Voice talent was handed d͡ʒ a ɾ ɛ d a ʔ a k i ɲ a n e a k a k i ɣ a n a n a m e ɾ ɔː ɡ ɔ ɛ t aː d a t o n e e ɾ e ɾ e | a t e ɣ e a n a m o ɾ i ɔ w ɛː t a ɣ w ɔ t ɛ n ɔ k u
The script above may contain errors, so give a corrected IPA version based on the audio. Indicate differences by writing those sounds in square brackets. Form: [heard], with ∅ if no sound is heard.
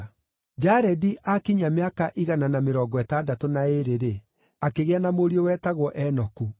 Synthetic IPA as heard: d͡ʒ a ɾ ɛ d [i] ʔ a k i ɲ a [m] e a k a [ʔ] i ɣ a n a n a m e ɾ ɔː ɡ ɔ ɛ t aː d a t o n [a] e ɾ e ɾ e | a [k] e ɣ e a n a m o ɾ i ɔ w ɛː t a ɣ w ɔ [ʔ] ɛ n ɔ k u